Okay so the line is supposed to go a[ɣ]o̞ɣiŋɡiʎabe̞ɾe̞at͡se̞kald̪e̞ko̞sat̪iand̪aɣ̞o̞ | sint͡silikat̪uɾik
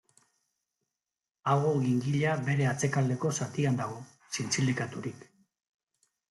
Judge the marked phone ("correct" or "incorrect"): correct